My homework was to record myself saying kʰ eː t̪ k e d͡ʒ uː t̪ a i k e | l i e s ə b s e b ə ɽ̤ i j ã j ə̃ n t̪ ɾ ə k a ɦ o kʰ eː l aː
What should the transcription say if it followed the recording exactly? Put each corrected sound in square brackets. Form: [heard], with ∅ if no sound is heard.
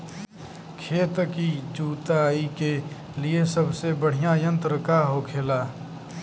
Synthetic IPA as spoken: kʰ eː t̪ k [i] d͡ʒ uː t̪ a i k e | l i e s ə b s e b ə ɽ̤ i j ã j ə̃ n t̪ ɾ ə k a ɦ o kʰ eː l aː